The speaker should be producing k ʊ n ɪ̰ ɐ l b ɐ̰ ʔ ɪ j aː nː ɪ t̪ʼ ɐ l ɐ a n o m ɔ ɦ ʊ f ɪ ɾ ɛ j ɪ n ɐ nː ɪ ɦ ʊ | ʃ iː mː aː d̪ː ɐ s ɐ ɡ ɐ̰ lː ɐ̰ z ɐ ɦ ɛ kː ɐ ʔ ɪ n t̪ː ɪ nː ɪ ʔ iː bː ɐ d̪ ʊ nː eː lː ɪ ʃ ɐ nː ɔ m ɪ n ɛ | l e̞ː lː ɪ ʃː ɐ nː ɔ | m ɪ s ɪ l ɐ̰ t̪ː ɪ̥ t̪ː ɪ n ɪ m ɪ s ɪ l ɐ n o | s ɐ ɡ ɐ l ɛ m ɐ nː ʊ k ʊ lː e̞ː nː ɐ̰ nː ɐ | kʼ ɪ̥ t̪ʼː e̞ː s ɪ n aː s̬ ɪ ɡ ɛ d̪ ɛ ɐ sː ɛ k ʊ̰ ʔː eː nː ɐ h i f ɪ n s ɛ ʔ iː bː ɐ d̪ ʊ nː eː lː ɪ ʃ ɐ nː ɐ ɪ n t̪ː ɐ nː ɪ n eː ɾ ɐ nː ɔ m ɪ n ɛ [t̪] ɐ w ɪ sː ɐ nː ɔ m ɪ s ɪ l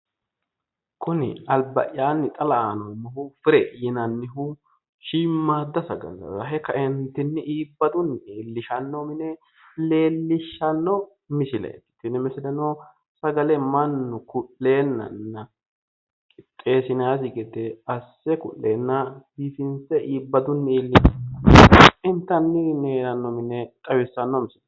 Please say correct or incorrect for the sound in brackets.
incorrect